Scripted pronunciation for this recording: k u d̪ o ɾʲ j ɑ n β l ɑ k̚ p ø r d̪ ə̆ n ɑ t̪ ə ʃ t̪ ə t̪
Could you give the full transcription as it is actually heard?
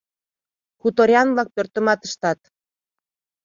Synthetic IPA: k u t̪ o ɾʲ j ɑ n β l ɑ k̚ p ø r t̪ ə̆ m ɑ t̪ ə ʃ t̪ ɑ t̪